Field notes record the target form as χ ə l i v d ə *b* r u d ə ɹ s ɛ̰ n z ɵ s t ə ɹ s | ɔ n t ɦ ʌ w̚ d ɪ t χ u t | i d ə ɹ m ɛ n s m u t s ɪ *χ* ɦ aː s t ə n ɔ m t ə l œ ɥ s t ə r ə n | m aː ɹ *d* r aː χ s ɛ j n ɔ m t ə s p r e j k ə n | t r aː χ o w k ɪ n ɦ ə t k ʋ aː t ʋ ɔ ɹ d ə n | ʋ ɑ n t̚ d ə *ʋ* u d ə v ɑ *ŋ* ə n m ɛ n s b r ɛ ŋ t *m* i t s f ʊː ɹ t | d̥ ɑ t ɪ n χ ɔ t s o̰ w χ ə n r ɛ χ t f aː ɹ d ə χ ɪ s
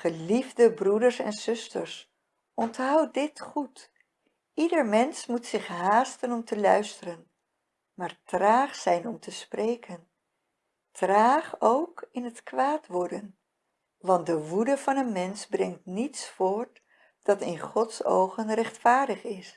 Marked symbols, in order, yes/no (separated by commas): yes, yes, no, yes, no, no